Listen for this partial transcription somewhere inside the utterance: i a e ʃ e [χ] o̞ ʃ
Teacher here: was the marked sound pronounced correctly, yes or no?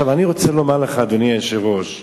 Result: no